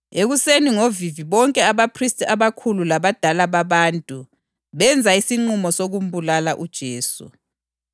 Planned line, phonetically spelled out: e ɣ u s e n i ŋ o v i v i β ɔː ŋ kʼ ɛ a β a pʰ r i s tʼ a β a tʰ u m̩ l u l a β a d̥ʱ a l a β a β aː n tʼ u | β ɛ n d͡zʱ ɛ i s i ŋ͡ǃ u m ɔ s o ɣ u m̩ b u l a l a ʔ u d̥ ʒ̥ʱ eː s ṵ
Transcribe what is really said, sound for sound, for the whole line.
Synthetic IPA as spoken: e ɣ u s e n i ŋ o v i v i β ɔ ŋ kʼ ɛ a β a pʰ r i s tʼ a β a kʰ u l u l a β a d̥ʱ a l a β a β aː n tʼ u | β ɛ n d͡zʱ a i s i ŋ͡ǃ u m ɔ s o ɣ u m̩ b u l a l a ʔ u d̥ ʒ̥ʱ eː s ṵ

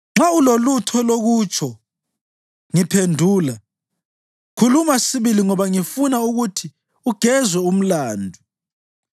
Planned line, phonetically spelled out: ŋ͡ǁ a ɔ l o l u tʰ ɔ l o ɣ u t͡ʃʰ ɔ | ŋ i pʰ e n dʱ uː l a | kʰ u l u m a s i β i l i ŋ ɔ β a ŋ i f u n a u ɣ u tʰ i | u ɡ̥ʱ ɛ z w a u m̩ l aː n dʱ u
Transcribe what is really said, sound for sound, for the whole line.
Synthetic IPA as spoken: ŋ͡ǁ a u l o l u tʰ ɔ l o ɣ u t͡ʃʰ ɔ | ŋ i pʰ e n dʱ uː l a | kʰ u l u m a s i β i l i ŋ ɔ β a ŋ i f u n a u ɣ u tʰ i | u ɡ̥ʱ ɛ z w ɛ u m̩ l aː n dʱ u

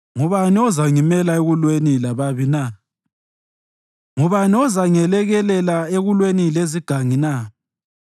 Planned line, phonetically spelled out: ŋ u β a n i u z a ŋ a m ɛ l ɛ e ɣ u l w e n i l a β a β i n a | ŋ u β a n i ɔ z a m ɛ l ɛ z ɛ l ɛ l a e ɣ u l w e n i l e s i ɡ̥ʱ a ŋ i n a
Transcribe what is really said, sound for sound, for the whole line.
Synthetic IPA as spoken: ŋ u β a n i ɔ z a ŋ i m ɛ l a e ɣ u l w e n i l a β a β i n a | ŋ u β a n i ɔ z a ŋ ɛ l ɛ ɣ ɛ l ɛ l a e ɣ u l w e n i l e z i ɡ̥ʱ a ŋ i n a

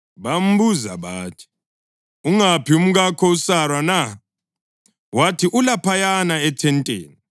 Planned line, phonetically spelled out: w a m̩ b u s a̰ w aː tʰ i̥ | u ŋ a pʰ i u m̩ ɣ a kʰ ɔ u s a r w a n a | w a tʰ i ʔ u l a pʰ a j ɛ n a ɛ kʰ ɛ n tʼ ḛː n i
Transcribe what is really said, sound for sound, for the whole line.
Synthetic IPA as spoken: β a m̩ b u z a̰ β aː tʰ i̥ | u ŋ a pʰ i u m̩ ɣ a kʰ ɔ u s a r w a n a | w a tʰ i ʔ u l a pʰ a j a n a ɛ tʰ ɛ n tʼ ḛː n i

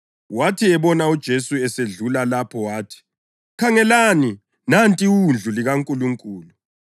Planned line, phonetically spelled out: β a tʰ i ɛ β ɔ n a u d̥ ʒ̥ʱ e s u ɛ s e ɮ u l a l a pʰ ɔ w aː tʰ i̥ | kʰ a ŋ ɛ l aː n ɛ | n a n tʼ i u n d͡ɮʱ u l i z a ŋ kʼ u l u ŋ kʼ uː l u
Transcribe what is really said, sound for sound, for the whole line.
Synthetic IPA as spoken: w a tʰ i ɛ β ɔ n a u d̥ ʒ̥ʱ e s u ɛ s e ɮ u l a l a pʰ ɔ w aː tʰ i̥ | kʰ a ŋ ɛ l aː n i | n a n tʼ i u n d͡ɮʱ u l i ɣ a ŋ kʼ u l u ŋ kʼ uː l u

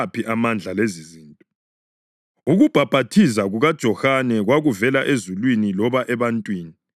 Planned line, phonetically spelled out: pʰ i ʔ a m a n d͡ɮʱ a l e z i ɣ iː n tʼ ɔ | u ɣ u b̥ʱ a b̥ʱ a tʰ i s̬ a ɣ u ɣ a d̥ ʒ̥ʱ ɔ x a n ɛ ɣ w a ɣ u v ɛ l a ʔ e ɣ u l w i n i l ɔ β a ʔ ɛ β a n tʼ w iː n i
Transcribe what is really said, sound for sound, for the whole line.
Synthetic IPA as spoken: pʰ i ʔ a m a n d͡ɮʱ a l e z i z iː n tʼ ɔ | u ɣ u b̥ʱ a b̥ʱ a tʰ i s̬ a ɣ u ɣ a d̥ ʒ̥ʱ ɔ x a n ɛ ɣ w a ɣ u v ɛ l a ʔ e z u l w i n i l ɔ β a ʔ ɛ β a n tʼ w iː n i

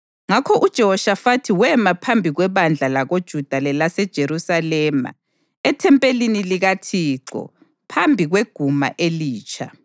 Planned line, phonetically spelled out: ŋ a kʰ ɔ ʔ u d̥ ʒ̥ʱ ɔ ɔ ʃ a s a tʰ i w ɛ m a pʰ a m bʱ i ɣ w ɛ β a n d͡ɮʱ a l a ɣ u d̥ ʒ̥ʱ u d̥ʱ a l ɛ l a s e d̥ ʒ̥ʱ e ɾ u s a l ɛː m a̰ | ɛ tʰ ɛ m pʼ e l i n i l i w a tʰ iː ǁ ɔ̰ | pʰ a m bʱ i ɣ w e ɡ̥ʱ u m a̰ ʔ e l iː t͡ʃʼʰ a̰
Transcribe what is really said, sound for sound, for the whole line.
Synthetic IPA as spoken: ŋ a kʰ ɔ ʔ u d̥ ʒ̥ʱ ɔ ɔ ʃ a f a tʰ i w ɛ m a pʰ a m bʱ i ɣ w ɛ β a n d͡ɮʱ a l a ɣ o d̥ ʒ̥ʱ u d̥ʱ a l ɛ l a s ɛ d̥ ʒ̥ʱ e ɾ u s a l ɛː m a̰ | ɛ tʰ ɛ m pʼ e l i n i l i ɣ a tʰ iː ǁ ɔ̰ | pʰ a m bʱ i ɣ w e ɡ̥ʱ u m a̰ ʔ e l iː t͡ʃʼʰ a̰

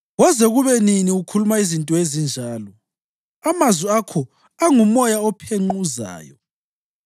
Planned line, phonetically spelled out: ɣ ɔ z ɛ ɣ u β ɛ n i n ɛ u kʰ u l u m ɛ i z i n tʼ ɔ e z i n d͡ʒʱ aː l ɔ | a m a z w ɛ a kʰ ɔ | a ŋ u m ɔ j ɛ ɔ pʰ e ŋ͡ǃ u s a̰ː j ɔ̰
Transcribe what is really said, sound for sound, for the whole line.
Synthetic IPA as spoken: ɣ ɔ z ɛ ɣ u β ɛ n i n i u kʰ u l u m a i z i n tʼ ɔ e z i n d͡ʒʱ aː l ɔ | a m a z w i a kʰ ɔ | a ŋ u m ɔ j a ɔ pʰ e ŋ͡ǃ u z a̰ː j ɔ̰

